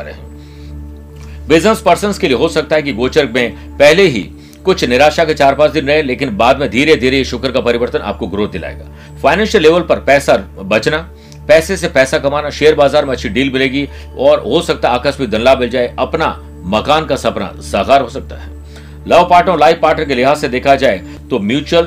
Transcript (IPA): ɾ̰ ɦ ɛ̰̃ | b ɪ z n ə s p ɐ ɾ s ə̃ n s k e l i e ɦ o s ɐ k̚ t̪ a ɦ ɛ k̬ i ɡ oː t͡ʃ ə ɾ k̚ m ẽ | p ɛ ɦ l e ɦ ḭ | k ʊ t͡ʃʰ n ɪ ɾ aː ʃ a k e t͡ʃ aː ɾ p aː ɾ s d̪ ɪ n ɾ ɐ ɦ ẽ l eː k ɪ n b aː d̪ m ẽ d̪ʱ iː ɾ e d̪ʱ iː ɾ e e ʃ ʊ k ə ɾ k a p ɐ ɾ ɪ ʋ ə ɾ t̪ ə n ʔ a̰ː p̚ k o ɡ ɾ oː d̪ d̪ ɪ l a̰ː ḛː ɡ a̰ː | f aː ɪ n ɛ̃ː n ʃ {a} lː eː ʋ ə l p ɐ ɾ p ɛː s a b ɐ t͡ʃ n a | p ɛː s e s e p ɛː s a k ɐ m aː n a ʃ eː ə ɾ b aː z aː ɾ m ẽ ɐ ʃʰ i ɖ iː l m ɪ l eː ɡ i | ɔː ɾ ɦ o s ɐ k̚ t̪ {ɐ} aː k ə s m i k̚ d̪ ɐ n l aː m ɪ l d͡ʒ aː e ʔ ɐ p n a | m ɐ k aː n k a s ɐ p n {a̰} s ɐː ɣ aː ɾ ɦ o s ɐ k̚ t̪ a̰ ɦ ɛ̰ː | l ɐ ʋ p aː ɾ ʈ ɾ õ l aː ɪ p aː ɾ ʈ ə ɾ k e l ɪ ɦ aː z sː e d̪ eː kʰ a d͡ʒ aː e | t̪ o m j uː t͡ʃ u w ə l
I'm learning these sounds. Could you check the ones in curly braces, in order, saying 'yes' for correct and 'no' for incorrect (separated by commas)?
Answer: no, no, yes